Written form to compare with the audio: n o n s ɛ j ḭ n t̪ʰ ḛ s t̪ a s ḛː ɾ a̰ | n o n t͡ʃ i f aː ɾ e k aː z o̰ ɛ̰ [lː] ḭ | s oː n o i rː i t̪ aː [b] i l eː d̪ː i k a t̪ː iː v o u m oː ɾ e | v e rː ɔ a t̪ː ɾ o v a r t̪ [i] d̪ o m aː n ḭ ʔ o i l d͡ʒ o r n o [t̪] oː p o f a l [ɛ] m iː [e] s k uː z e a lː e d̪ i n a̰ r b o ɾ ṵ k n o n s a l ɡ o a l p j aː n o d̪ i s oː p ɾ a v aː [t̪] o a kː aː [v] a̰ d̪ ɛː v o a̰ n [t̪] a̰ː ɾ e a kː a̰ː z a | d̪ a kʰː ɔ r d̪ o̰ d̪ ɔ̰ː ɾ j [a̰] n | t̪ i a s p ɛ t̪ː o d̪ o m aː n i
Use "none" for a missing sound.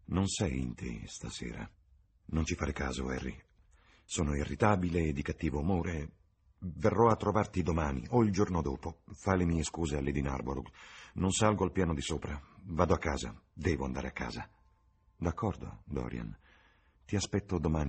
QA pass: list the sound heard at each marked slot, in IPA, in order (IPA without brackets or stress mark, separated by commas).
rː, b, i, d̪, e, e, d̪, z, d̪, a̰